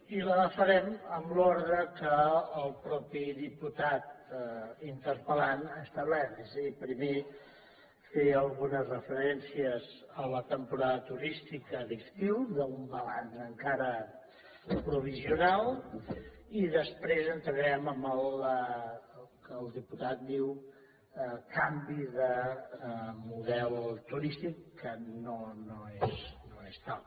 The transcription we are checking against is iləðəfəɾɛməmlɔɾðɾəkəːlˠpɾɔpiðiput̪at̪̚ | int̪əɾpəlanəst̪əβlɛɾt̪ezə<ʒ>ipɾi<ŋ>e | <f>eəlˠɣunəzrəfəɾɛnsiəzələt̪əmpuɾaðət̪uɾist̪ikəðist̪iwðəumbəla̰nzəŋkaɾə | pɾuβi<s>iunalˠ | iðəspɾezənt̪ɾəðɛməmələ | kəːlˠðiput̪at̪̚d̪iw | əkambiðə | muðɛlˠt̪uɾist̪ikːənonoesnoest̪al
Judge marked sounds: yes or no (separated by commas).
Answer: no, no, yes, no